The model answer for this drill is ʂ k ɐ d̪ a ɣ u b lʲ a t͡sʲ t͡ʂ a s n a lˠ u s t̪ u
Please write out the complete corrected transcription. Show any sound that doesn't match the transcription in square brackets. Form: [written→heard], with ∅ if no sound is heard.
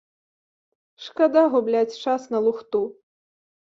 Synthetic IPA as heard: ʂ k [ɐ→a] d̪ a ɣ u b lʲ a t͡sʲ t͡ʂ a s n [a→ɐ] lˠ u [s→x] t̪ u